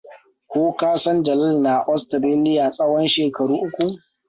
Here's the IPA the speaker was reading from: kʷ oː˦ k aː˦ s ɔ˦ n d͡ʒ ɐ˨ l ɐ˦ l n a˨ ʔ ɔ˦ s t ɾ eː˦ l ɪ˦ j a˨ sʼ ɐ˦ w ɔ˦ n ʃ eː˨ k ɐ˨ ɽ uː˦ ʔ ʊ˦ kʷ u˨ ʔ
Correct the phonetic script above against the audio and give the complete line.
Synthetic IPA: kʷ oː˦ k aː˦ s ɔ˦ n d͡ʒ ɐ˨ l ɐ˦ l n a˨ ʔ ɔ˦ s t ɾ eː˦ l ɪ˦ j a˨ sʼ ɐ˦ w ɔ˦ n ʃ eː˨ k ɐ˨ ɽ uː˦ ʔ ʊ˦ kʷ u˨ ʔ

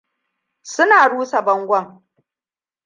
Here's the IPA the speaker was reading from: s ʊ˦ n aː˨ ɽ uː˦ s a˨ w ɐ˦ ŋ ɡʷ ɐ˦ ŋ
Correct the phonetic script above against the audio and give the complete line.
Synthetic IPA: s ʊ˦ n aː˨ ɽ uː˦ s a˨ b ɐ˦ ŋ ɡʷ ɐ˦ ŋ

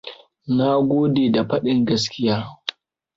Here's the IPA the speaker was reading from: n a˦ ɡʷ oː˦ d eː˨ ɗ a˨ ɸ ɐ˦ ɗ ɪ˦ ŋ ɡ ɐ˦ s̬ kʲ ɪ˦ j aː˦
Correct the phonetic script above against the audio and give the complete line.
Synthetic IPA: n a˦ ɡʷ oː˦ d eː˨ d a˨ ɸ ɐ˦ ɗ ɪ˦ ŋ ɡ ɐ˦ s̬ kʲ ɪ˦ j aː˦

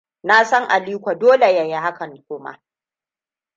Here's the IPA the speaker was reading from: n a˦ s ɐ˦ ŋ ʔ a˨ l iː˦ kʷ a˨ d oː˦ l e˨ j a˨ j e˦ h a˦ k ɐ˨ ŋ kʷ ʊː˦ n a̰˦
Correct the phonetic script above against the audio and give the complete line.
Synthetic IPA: n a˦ s ɐ˦ ŋ ʔ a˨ l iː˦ kʷ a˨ d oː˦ l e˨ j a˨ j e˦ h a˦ k ɐ˨ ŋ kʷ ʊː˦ m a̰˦

